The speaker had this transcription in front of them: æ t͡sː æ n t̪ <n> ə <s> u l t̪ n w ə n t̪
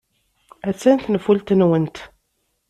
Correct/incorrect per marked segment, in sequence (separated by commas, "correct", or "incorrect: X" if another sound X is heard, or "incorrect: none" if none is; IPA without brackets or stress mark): correct, incorrect: f